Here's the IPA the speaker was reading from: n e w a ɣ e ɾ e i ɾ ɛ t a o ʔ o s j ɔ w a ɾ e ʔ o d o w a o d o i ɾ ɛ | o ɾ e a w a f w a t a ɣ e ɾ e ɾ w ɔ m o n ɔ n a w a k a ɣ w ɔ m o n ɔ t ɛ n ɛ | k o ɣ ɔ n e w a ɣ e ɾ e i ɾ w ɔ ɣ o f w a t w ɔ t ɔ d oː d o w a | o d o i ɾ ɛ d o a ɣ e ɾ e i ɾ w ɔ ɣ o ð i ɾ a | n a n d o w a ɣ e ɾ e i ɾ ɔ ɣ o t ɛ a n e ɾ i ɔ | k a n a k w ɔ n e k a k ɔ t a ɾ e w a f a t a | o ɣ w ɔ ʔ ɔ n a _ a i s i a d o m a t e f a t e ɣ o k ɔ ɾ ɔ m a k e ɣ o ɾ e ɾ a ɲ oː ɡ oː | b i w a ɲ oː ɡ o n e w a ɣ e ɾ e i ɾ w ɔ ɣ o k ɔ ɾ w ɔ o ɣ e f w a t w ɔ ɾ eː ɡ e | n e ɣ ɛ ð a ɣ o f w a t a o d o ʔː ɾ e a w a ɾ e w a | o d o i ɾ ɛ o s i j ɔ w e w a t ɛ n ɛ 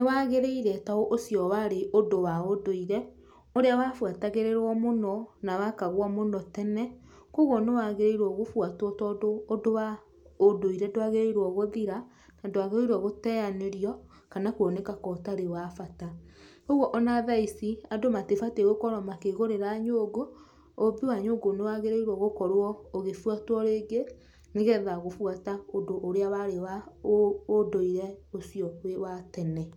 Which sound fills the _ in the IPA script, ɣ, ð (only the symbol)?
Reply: ð